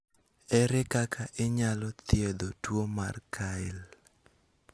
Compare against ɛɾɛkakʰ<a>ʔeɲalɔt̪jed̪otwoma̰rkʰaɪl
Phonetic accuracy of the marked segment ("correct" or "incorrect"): correct